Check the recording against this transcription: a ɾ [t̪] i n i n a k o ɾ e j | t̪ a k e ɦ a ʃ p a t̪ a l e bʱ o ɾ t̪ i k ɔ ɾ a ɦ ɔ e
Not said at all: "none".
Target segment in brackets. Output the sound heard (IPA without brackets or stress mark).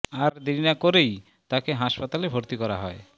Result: d̪